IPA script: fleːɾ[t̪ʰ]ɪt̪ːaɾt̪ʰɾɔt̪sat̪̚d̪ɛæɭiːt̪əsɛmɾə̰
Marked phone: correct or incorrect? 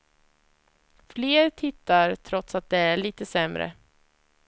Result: correct